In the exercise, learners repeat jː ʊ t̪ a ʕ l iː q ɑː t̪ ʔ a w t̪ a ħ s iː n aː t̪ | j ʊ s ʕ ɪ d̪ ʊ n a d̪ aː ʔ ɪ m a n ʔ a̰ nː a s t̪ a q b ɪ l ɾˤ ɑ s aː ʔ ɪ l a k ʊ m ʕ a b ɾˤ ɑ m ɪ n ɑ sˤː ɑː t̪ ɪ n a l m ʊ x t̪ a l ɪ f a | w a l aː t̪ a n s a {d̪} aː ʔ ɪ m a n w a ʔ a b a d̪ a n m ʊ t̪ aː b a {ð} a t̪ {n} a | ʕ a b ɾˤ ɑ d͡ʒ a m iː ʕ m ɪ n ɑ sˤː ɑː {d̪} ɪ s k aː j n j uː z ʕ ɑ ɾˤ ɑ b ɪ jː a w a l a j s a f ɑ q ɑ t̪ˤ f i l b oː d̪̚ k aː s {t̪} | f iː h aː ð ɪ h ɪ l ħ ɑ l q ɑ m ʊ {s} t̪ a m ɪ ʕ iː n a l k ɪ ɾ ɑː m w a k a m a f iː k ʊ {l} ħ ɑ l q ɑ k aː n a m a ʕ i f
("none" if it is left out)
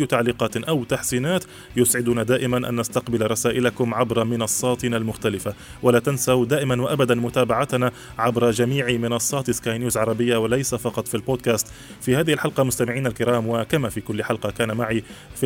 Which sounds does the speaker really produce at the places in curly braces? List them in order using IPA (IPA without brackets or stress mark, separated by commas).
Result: d̪, ʕ, n, t̪, t̪, s, lː